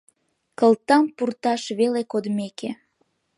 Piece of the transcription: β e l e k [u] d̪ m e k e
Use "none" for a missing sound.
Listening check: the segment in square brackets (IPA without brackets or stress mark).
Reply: o